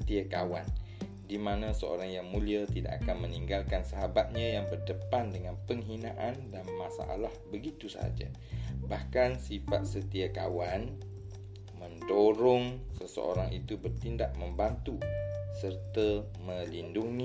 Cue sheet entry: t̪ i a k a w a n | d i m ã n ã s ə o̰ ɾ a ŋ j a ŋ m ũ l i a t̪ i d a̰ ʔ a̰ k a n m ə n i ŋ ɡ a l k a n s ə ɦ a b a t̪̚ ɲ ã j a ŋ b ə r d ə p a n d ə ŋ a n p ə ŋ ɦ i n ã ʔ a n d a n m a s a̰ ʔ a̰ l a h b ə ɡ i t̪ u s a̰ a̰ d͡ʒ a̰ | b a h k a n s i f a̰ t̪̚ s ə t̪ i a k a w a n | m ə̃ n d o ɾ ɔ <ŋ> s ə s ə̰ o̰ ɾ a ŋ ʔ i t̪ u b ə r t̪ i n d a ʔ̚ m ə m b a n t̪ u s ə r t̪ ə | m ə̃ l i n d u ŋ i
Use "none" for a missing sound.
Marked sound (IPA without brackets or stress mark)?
ŋ